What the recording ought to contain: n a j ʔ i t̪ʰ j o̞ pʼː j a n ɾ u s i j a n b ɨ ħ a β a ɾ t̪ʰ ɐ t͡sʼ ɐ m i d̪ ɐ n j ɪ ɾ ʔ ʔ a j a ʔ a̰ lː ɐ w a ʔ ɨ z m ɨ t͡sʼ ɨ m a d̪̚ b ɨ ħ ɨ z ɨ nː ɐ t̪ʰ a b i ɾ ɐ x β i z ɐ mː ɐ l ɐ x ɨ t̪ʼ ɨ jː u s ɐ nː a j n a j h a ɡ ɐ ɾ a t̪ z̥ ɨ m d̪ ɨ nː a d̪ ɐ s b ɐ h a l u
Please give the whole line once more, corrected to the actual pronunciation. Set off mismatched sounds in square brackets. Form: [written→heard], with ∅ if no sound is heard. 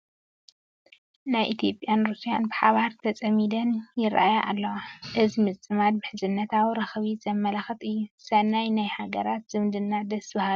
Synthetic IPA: n a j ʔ i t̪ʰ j o̞ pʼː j a n ɾ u s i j a n b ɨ ħ a β a ɾ t̪ʰ ɐ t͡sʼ ɐ m i d̪ ɐ n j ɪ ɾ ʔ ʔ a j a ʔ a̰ lː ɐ w a ʔ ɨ z m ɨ t͡sʼ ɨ m a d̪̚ b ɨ ħ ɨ z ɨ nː ɐ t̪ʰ a [b→w] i ɾ ɐ x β i z ɐ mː ɐ l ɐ x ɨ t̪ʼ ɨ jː u s ɐ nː a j n a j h a ɡ ɐ ɾ a t̪ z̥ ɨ m d̪ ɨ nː a d̪ ɐ s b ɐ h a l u